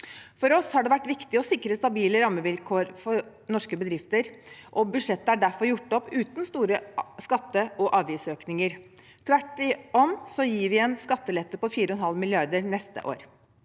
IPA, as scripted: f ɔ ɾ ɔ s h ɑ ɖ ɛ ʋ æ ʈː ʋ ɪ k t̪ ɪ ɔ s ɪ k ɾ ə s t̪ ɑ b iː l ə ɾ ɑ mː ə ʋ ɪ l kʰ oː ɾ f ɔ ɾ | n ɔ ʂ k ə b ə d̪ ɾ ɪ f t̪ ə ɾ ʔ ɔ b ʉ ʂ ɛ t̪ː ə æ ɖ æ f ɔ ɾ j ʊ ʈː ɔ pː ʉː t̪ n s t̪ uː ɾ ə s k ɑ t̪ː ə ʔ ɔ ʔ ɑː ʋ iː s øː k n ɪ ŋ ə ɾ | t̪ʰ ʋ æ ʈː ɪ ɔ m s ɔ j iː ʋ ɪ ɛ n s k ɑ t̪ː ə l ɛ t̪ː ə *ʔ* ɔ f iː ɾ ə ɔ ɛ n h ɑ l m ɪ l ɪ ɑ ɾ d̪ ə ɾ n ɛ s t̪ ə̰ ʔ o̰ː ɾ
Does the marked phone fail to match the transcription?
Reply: yes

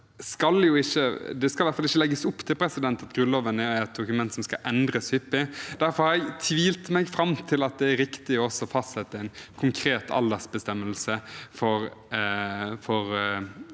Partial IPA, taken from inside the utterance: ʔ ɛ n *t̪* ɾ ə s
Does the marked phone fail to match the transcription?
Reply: yes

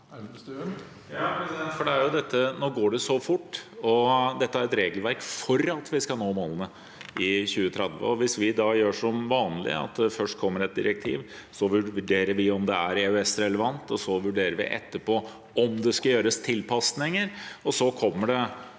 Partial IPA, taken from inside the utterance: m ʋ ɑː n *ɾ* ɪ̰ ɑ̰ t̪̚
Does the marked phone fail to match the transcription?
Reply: yes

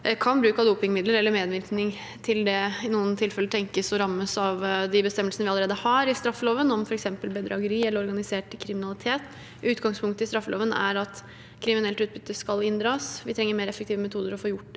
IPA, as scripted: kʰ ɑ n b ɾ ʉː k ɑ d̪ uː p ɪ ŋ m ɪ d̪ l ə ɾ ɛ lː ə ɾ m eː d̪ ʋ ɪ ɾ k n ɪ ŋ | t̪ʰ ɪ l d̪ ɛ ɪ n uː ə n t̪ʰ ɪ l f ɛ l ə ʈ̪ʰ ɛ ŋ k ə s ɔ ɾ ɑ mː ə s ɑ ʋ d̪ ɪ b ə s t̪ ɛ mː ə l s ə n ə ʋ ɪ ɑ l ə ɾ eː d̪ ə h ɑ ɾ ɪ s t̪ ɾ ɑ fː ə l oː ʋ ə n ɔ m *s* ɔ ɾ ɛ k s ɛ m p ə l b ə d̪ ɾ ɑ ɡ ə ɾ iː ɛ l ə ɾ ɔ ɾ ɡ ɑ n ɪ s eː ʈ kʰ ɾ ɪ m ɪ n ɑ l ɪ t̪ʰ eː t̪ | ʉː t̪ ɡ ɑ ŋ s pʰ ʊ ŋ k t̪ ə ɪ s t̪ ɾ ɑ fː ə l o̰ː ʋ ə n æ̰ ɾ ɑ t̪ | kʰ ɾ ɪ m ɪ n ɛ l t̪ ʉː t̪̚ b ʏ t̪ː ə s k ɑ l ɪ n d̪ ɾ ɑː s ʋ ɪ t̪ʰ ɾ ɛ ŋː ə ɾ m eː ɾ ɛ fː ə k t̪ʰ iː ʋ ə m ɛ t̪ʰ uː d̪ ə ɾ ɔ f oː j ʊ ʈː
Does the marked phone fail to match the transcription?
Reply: yes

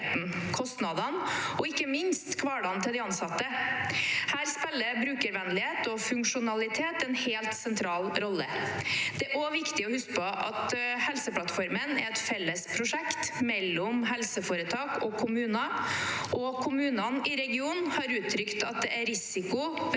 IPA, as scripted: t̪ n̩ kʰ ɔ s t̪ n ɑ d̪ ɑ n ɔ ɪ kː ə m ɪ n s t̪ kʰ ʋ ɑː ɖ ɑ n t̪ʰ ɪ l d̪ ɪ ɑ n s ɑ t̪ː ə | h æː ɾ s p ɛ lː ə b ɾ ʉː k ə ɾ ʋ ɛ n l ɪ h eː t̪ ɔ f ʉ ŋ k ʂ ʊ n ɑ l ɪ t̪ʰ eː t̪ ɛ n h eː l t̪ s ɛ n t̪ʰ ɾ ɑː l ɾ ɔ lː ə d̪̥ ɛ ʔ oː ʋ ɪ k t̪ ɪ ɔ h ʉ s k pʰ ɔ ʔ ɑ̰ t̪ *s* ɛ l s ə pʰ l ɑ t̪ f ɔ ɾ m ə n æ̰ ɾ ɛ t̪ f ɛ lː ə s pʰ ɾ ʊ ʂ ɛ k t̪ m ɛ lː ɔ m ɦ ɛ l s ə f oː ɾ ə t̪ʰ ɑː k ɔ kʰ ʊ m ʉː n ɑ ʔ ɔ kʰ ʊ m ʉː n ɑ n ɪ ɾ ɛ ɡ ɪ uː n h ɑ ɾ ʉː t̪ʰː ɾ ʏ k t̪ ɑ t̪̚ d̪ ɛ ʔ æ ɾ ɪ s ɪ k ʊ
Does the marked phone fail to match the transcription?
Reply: yes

